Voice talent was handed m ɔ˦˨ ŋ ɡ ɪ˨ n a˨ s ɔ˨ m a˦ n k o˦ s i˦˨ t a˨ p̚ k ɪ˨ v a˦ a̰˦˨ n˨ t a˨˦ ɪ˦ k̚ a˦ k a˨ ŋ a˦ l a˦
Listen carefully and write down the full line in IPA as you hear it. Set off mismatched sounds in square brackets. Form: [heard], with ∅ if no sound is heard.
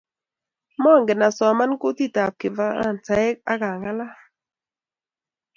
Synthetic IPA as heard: m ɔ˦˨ ŋ ɡ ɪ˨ n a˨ s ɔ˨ m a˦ n k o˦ [t] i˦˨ t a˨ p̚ k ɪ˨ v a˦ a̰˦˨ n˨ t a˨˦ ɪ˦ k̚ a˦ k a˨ ŋ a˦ l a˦